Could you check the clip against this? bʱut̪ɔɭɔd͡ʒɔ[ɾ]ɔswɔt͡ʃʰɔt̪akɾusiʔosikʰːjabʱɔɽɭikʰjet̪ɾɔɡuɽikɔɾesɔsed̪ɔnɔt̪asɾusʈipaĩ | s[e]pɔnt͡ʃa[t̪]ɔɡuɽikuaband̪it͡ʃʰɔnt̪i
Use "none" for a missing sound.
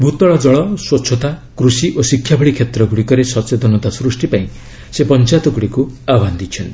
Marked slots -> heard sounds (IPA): ɭ, e, t̪

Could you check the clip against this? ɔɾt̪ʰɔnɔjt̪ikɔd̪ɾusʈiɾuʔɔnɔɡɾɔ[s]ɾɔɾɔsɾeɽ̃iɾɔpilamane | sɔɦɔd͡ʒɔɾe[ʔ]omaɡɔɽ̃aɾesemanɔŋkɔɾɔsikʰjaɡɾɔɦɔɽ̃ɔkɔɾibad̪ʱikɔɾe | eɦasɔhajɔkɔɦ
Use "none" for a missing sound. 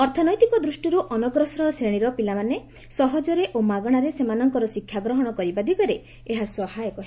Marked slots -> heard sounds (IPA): s, ʔ

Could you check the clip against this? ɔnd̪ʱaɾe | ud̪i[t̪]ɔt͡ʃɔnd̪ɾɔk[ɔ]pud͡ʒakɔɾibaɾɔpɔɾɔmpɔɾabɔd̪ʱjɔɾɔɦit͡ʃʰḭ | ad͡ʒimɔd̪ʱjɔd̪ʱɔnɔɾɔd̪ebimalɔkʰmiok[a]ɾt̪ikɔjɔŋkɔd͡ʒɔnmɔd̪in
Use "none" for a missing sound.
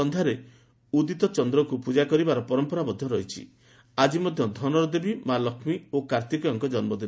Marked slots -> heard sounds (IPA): t̪, u, a

